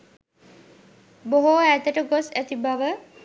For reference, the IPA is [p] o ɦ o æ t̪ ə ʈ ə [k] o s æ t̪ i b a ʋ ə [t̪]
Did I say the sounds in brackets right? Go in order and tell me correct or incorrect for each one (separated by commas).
incorrect, incorrect, incorrect